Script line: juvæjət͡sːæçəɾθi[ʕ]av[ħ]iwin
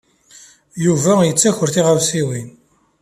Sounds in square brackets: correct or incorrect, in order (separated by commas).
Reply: incorrect, incorrect